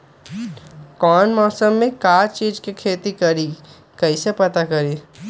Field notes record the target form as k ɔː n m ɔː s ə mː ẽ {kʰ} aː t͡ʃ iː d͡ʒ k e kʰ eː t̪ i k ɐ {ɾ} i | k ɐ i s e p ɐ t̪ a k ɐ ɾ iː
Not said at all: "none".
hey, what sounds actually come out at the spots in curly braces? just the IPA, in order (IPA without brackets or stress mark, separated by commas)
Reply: k, ɾ